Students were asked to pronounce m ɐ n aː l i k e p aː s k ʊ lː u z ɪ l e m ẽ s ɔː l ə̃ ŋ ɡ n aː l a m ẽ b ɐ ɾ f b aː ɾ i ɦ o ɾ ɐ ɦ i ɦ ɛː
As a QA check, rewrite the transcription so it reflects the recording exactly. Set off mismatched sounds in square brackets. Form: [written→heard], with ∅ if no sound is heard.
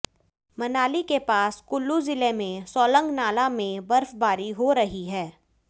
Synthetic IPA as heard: m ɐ n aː l i k e p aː s k ʊ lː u z ɪ l e m ẽ s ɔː l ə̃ ŋ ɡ n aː l a m ẽ b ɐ ɾ f b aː ɾ i ɦ o ɾ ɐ ɦ i ɦ ɛː